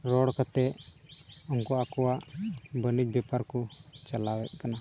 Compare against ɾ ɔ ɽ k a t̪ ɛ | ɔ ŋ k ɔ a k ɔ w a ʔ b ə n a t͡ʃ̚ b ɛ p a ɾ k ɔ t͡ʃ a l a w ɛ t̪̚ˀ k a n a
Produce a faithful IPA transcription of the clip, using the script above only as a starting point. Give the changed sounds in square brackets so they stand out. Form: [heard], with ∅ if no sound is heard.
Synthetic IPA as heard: ɾ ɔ ɽ k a t̪ ɛ | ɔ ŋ k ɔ a k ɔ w a ʔ b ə n [i] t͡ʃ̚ b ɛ p a ɾ k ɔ t͡ʃ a l a w ɛ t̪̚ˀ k a n a